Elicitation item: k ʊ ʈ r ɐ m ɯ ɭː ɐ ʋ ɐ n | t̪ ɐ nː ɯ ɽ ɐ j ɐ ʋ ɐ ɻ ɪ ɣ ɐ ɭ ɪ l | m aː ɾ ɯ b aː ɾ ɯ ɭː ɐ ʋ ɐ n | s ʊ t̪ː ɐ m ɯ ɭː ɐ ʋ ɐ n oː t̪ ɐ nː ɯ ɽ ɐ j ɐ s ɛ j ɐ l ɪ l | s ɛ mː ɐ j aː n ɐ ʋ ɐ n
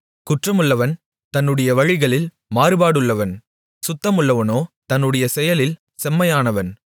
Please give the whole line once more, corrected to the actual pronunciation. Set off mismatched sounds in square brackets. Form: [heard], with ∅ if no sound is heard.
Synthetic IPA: k ʊ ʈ r ɐ m ɯ ɭː ɐ ʋ ɐ n | t̪ ɐ nː ɯ ɽ ɐ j ɐ ʋ ɐ ɻ ɪ ɣ ɐ ɭ ɪ l | m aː ɾ ɯ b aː [ɽ] ɯ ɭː ɐ ʋ ɐ n | s ʊ t̪ː ɐ m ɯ ɭː ɐ ʋ ɐ n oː t̪ ɐ nː ɯ ɽ ɐ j ɐ s ɛ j ɐ l ɪ l | s ɛ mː ɐ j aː n ɐ ʋ ɐ n

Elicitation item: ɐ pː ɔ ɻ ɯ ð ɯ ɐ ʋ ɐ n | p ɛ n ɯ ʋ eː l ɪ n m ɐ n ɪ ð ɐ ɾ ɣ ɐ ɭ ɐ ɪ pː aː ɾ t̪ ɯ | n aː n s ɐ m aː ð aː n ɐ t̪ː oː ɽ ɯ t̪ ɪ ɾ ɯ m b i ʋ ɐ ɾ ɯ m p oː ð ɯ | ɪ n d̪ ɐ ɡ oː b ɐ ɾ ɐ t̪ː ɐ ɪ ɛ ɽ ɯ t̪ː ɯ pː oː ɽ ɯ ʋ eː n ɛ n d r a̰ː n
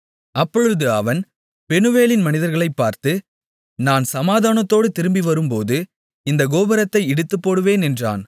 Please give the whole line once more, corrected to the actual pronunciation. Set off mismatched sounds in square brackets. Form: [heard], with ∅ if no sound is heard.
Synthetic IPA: ɐ pː ɔ ɻ ɯ ð ɯ ɐ ʋ ɐ n | p ɛ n ɯ ʋ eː l ɪ n m ɐ n ɪ ð ɐ ɾ ɣ ɐ ɭ ɐ ɪ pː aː ɾ t̪ ɯ | n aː n s ɐ m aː ð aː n ɐ t̪ː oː ɽ ɯ t̪ ɪ ɾ ɯ m b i ʋ ɐ ɾ ɯ m p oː ð ɯ | ɪ n d̪ ɐ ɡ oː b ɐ ɾ ɐ t̪ː ɐ ɪ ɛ ɽ ɯ t̪ː ɯ pː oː ɽ ɯ ʋ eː n ɛ n d r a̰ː n

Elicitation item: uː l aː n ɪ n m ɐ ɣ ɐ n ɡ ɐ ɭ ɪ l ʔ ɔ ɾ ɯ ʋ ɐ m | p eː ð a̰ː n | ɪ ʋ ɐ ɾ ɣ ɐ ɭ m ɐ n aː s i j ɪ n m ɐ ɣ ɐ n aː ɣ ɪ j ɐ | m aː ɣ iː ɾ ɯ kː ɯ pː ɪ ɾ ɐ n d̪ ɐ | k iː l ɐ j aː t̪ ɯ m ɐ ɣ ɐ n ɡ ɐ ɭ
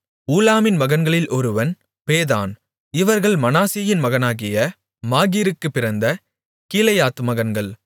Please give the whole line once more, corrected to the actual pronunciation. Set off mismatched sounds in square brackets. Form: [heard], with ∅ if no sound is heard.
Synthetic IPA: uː l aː [m] ɪ n m ɐ ɣ ɐ n ɡ ɐ ɭ ɪ l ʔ ɔ ɾ ɯ ʋ ɐ [n] | p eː ð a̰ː n | ɪ ʋ ɐ ɾ ɣ ɐ ɭ m ɐ n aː s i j ɪ n m ɐ ɣ ɐ n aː ɣ ɪ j ɐ | m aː ɣ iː ɾ ɯ kː ɯ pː ɪ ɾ ɐ n d̪ ɐ | k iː l ɐ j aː t̪ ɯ m ɐ ɣ ɐ n ɡ ɐ ɭ

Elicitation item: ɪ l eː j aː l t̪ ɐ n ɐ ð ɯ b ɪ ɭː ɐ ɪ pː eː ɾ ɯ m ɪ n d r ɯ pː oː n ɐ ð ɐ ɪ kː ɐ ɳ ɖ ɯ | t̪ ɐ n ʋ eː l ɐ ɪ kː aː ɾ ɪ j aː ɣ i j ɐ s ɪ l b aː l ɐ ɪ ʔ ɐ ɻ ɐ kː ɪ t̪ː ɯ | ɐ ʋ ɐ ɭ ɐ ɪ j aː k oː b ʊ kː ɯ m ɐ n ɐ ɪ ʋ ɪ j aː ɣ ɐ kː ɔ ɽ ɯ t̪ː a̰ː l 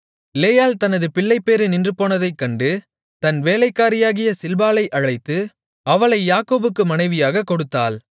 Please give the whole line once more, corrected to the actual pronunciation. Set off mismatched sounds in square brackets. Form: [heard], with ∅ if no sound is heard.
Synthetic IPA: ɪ l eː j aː l t̪ ɐ n ɐ ð ɯ [p] ɪ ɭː ɐ ɪ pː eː ɾ ɯ [n] ɪ n d r ɯ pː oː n ɐ ð ɐ ɪ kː ɐ ɳ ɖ ɯ | t̪ ɐ n ʋ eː l ɐ ɪ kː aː ɾ ɪ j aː ɣ [ɪ] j ɐ s ɪ l b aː l ɐ ɪ ʔ ɐ ɻ ɐ [∅] ɪ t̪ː ɯ | ɐ ʋ ɐ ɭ ɐ ɪ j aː k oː b [ɯ] kː ɯ m ɐ n ɐ ɪ ʋ ɪ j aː ɣ ɐ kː ɔ ɽ ɯ t̪ː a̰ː l

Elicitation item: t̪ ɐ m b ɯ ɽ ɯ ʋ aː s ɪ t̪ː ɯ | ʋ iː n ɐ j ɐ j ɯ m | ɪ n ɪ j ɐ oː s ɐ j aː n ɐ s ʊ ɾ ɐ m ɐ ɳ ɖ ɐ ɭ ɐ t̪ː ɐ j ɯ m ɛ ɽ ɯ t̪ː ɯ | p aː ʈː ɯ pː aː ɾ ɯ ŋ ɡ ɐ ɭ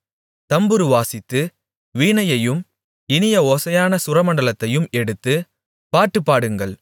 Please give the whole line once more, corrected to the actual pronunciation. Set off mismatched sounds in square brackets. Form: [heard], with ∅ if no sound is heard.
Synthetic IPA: t̪ ɐ m b ɯ [ɾ] ɯ ʋ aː s ɪ t̪ː ɯ | ʋ iː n ɐ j ɐ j ɯ m | ɪ n ɪ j ɐ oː s ɐ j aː n ɐ s ʊ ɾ ɐ m ɐ ɳ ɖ ɐ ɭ ɐ t̪ː ɐ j ɯ m ɛ ɽ ɯ t̪ː ɯ | p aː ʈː ɯ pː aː [ɽ] ɯ ŋ ɡ ɐ ɭ

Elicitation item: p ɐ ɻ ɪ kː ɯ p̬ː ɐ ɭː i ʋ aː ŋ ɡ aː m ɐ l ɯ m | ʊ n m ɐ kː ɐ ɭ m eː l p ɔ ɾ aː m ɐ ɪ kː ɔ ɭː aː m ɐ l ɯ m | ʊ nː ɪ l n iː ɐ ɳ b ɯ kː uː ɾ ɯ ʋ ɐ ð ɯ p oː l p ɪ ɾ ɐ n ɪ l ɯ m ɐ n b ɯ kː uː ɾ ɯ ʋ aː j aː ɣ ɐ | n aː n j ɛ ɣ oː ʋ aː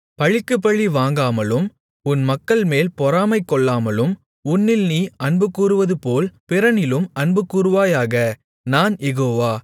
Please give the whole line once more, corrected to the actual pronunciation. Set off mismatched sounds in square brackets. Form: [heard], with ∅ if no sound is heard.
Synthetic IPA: p ɐ ɻ ɪ kː ɯ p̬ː ɐ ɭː i ʋ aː ŋ ɡ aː m ɐ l ɯ m | ʊ n m ɐ kː ɐ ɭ m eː l p ɔ ɾ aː m ɐ ɪ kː ɔ ɭː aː m ɐ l ɯ m | ʊ nː ɪ l n iː ɐ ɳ b ɯ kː uː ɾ ɯ ʋ ɐ ð ɯ p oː l p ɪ ɾ ɐ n ɪ l ɯ m ɐ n b ɯ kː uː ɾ ɯ ʋ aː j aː ɣ ɐ | n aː n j ɛ ɣ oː ʋ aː

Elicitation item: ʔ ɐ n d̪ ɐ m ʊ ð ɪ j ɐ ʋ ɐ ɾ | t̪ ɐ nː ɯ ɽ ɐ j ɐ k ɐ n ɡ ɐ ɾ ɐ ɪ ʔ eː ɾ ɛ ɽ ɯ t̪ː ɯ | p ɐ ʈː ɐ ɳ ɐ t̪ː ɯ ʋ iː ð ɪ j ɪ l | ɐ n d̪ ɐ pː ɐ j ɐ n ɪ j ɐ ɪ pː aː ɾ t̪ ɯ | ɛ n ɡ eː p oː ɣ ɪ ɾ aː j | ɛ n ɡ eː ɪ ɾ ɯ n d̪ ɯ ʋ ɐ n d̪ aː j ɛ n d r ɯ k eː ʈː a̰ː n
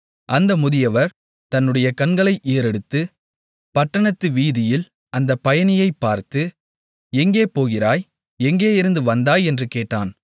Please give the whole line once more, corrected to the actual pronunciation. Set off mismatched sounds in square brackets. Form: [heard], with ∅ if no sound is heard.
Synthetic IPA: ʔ ɐ n d̪ ɐ m ʊ ð ɪ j ɐ ʋ ɐ ɾ | t̪ ɐ nː ɯ ɽ ɐ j ɐ k ɐ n ɡ ɐ [ɭ] ɐ ɪ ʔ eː ɾ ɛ ɽ ɯ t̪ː ɯ | p ɐ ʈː ɐ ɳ ɐ t̪ː ɯ ʋ iː ð ɪ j ɪ l | ɐ n d̪ ɐ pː ɐ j ɐ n ɪ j ɐ ɪ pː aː ɾ t̪ ɯ | ɛ [ŋ] ɡ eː p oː ɣ ɪ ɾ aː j | ɛ [ŋ] ɡ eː ɪ ɾ ɯ n d̪ ɯ ʋ ɐ n d̪ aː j ɛ n d r ɯ k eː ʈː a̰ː n

